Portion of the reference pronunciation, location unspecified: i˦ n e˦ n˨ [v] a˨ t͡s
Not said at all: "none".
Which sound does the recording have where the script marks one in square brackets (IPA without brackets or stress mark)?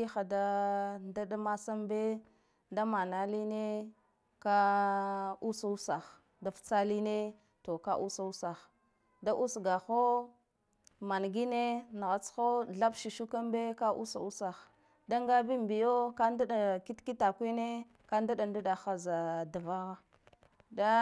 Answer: ɣ